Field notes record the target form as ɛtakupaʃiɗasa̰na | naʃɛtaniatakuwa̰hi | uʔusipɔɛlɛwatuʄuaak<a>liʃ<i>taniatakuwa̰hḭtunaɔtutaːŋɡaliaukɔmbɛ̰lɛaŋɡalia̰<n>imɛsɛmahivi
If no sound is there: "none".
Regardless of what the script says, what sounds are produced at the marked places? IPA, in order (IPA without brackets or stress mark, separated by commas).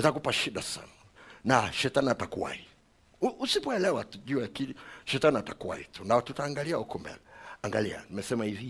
i, ɛ, n